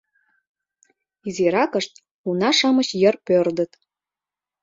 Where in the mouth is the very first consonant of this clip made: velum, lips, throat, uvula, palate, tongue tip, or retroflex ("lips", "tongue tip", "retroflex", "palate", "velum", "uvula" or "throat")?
tongue tip